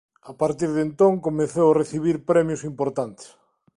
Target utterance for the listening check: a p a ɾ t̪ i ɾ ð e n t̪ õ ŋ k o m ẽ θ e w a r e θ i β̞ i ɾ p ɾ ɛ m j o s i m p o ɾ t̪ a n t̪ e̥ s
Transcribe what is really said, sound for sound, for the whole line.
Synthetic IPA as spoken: a p a ɾ t̪ i ɾ ð e n t̪ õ ŋ k o m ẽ θ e w a r e θ i β̞ i ɾ p ɾ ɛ m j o s i m p o ɾ t̪ a n t̪ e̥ s